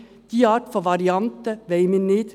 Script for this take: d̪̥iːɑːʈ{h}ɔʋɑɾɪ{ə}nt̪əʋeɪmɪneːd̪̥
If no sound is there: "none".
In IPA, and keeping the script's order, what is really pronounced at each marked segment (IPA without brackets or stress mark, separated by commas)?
f, ɑ